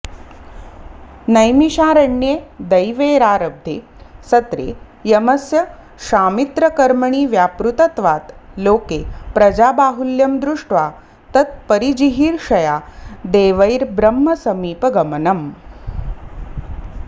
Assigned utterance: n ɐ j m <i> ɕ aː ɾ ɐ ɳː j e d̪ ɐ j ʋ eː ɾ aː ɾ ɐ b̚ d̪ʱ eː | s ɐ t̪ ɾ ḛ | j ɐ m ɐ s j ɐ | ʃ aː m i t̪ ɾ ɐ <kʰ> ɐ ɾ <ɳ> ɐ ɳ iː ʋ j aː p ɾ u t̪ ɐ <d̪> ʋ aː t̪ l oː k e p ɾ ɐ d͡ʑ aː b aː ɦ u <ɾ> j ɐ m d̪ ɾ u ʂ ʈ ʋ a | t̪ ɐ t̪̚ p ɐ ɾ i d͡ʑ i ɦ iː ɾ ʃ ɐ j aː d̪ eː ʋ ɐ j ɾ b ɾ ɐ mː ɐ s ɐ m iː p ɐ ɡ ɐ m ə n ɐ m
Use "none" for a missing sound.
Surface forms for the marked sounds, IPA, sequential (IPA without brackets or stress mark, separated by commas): i, k, m, t̪, l